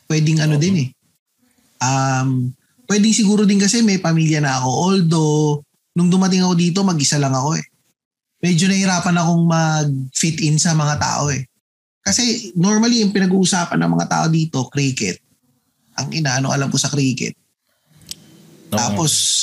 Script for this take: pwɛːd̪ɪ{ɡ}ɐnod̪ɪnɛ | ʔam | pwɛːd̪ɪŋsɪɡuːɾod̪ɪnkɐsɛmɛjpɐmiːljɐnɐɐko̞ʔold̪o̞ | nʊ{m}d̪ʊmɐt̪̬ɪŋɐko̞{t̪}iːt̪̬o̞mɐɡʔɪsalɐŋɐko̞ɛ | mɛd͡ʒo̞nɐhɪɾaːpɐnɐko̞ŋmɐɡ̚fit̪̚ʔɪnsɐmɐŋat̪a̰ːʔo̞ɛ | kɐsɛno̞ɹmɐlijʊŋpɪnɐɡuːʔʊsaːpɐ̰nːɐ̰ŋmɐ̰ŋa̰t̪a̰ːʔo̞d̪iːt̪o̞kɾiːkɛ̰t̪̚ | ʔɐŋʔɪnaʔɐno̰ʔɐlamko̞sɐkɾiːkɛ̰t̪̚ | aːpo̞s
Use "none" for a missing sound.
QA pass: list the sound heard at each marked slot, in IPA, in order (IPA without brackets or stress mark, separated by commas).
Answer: ŋ, ŋ, d̪